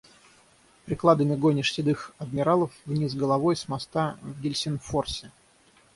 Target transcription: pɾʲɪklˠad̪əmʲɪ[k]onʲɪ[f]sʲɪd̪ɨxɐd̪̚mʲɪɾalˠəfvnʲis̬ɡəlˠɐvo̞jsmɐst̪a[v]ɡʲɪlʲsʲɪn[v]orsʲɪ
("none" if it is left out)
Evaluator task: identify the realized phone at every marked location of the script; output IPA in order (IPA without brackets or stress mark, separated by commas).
ɡ, ʂ, v, f